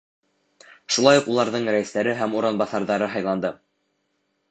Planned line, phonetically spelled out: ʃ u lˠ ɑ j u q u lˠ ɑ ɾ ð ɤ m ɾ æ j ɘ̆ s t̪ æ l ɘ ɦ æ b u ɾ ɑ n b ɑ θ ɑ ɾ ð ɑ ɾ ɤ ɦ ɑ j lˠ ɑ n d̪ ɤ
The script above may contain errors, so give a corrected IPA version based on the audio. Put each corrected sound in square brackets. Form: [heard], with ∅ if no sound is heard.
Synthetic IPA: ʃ u lˠ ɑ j u q u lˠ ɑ ɾ ð ɤ [ɴ] ɾ æ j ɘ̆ s t̪ æ [ɾ] ɘ ɦ æ [m] u ɾ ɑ n b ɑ θ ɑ ɾ ð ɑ ɾ ɤ ɦ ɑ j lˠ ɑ n d̪ ɤ